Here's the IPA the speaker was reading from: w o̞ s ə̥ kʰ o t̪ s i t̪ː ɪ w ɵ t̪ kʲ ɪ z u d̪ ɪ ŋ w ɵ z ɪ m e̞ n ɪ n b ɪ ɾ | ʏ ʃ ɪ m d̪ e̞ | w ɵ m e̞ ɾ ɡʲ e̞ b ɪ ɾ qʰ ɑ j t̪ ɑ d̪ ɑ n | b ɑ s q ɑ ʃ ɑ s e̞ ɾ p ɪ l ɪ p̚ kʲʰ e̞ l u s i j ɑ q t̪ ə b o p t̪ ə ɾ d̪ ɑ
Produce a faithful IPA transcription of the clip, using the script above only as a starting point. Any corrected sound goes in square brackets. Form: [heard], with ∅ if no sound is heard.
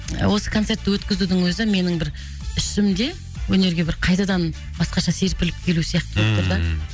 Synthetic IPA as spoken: w o̞ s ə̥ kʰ o t̪ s [e] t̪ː ɪ w ɵ t̪ kʲ ɪ z u d̪ ɪ ŋ w ɵ z ɪ m e̞ n ɪ [ŋ] b ɪ ɾ | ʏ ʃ ɪ m d̪ e̞ | w ɵ [n] e̞ ɾ ɡʲ e̞ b ɪ ɾ qʰ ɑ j t̪ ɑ d̪ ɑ n | b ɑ s q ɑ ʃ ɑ s e̞ ɾ p ɪ l ɪ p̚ kʲʰ e̞ l u s i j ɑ q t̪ ə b o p t̪ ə ɾ d̪ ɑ